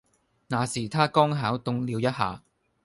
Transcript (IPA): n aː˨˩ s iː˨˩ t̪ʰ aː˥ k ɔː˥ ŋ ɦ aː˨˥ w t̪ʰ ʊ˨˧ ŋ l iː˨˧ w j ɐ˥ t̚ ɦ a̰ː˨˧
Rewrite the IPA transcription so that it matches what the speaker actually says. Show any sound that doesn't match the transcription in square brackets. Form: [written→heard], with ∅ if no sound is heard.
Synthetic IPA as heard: n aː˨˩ s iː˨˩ t̪ʰ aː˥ k ɔː˥ ŋ ɦ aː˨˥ w [t̪ʰ→t̪] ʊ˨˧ ŋ l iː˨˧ w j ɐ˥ t̚ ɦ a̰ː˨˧